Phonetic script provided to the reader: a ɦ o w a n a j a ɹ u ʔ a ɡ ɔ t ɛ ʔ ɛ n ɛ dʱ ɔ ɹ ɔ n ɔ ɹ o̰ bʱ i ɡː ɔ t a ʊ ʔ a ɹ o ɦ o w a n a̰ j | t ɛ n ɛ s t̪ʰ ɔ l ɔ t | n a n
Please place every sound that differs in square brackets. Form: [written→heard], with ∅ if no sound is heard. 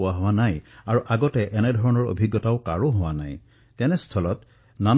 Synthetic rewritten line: a ɦ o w a n a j a ɹ u ʔ a ɡ ɔ t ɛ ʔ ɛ n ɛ dʱ ɔ ɹ ɔ n ɔ ɹ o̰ bʱ i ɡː ɔ t a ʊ [ʔ→k] a ɹ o ɦ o w a n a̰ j | t ɛ n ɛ s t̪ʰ ɔ l ɔ t | n a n